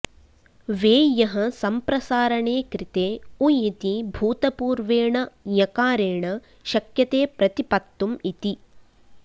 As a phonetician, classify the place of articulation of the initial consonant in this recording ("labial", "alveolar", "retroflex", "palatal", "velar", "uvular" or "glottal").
labial